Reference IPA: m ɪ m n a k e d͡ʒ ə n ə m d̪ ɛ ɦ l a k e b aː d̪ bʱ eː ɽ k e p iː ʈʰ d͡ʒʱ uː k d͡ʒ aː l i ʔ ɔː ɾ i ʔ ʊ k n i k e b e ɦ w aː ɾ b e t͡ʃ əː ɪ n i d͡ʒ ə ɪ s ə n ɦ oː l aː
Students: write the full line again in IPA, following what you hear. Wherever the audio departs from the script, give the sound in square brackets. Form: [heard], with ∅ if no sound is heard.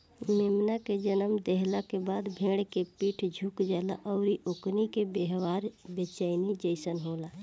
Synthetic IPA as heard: m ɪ m n a k e d͡ʒ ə n ə m d̪ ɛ ɦ l a k e b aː d̪ bʱ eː ɽ k e p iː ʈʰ d͡ʒʱ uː k d͡ʒ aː l [a] ʔ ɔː ɾ i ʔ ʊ k n i k e b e ɦ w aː ɾ b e t͡ʃ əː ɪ n i d͡ʒ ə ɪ s ə n ɦ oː l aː